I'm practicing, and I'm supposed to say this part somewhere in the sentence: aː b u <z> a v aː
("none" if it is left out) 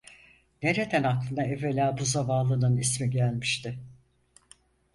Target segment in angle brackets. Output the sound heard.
z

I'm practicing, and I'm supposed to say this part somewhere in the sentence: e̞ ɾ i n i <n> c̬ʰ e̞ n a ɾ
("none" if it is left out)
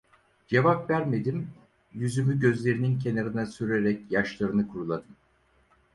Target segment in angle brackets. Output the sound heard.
n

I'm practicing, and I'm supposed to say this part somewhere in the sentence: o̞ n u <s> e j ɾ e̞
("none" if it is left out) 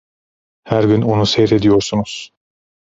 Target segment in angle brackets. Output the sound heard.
s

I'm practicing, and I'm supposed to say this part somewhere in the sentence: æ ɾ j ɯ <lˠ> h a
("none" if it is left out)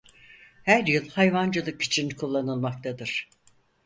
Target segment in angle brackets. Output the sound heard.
lˠ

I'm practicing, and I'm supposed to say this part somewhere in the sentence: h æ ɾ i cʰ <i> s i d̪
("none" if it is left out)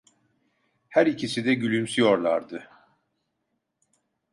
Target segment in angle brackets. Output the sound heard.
i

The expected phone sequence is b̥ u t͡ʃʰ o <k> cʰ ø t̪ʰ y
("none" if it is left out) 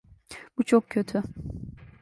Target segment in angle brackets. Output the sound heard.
k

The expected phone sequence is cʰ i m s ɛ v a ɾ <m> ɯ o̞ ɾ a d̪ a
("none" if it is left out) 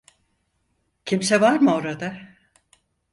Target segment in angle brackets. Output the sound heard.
m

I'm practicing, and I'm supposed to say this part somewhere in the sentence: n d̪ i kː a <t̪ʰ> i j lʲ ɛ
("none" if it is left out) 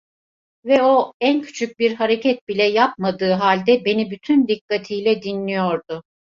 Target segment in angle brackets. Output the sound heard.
t̪ʰ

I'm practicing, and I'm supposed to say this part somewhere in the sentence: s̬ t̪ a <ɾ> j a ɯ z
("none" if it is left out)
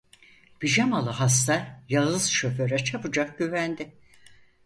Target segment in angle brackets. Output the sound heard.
ɾ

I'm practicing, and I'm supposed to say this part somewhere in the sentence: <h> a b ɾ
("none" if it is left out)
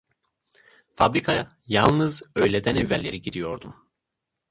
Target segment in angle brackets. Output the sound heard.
f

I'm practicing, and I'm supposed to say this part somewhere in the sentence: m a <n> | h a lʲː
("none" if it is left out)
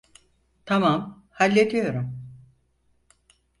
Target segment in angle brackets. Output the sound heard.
m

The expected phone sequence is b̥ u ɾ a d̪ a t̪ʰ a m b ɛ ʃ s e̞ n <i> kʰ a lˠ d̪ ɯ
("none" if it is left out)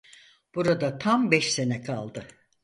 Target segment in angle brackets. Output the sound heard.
ɛ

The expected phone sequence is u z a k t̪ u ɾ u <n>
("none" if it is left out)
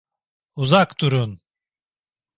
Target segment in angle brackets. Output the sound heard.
n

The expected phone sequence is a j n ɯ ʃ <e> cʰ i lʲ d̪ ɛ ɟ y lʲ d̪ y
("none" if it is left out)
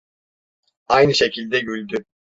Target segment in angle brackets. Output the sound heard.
e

